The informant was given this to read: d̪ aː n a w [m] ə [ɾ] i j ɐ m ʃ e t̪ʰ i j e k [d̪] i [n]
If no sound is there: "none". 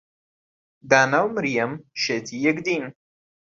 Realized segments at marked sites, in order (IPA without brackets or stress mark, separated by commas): m, ɾ, d̪, n